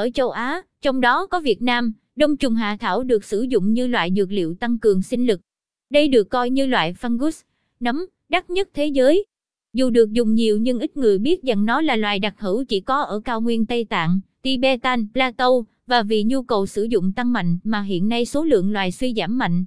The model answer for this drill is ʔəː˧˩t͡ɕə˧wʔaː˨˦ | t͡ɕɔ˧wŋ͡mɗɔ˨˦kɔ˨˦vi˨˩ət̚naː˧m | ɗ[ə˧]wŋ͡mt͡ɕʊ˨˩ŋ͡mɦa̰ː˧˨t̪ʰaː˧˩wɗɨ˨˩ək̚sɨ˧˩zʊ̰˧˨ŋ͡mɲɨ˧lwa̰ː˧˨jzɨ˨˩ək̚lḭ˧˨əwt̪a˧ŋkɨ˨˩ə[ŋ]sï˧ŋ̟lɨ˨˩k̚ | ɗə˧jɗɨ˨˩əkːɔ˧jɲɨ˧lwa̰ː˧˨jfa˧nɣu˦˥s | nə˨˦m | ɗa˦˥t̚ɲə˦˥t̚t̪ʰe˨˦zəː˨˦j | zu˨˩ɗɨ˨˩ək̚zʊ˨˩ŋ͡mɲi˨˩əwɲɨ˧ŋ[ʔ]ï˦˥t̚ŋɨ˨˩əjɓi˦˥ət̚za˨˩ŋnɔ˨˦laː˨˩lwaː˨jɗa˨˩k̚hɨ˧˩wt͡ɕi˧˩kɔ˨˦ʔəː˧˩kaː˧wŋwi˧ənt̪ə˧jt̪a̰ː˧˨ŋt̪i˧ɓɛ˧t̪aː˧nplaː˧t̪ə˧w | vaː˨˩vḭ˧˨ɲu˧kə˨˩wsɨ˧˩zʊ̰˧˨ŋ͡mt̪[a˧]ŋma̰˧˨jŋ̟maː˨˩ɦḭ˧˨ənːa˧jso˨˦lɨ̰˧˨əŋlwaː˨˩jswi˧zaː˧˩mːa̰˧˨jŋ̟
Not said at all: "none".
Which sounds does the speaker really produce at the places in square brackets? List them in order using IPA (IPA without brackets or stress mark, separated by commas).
ə˧, ŋ, ʔ, a˧